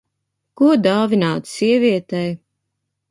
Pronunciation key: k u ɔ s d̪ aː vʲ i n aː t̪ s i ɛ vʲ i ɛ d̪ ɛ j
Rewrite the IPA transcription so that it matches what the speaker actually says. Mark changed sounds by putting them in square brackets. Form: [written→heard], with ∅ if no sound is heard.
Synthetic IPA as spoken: k u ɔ [s→∅] d̪ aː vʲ i n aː t̪ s i ɛ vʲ i ɛ [d̪→t̪] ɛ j